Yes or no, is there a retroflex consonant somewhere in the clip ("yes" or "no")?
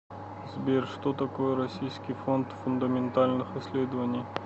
yes